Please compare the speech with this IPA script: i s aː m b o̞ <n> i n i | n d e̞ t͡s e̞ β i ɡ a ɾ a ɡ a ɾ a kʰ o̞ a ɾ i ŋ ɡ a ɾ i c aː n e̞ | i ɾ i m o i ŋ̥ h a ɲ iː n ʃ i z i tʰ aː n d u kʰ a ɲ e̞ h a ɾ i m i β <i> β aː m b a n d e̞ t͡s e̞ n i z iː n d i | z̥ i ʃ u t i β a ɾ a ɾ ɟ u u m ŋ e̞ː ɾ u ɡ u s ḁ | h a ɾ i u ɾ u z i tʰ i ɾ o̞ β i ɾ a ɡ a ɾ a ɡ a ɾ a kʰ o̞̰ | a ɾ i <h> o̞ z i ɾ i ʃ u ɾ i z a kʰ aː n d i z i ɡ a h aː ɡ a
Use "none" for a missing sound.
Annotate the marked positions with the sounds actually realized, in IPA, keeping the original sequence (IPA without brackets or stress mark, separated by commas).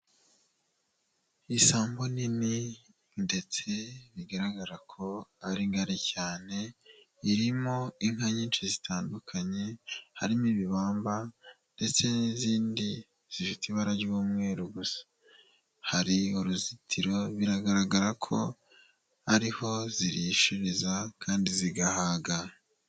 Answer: n, i, h